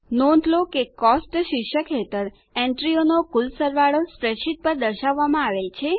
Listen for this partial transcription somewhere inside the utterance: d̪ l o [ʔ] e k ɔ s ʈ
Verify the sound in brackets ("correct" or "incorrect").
incorrect